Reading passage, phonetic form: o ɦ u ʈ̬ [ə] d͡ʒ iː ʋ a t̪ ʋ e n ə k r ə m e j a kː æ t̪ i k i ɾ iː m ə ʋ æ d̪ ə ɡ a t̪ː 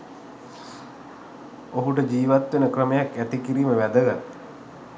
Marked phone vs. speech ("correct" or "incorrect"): correct